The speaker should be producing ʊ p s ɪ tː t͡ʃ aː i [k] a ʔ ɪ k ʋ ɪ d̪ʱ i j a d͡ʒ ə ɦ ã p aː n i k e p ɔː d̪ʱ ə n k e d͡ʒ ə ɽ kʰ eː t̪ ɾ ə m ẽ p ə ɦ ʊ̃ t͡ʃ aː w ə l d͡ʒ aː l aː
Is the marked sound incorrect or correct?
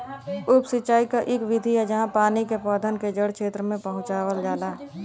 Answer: correct